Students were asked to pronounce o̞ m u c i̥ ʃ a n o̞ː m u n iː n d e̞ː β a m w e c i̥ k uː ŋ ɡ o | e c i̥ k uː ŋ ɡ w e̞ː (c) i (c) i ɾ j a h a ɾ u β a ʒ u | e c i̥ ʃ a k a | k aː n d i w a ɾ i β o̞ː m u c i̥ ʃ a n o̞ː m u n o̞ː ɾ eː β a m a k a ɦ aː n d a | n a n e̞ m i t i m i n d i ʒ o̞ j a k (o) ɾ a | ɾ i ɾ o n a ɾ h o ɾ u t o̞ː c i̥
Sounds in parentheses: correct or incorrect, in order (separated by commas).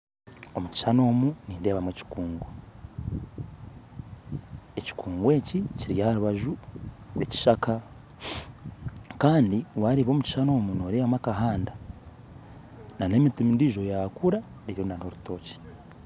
correct, correct, incorrect